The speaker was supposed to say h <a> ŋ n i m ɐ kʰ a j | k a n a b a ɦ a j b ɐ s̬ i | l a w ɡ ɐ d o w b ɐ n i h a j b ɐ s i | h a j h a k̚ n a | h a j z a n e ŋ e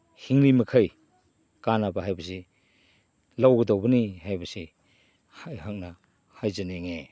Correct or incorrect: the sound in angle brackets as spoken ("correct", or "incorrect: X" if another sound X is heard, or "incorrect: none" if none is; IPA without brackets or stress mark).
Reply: incorrect: i